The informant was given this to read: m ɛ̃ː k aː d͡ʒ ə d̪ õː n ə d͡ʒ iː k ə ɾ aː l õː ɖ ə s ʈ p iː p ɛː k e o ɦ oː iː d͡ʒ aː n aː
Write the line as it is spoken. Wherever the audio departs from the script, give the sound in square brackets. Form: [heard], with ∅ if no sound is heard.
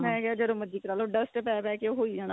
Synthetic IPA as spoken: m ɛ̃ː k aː d͡ʒ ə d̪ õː [m] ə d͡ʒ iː k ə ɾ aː l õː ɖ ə s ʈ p [ɛː] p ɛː k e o ɦ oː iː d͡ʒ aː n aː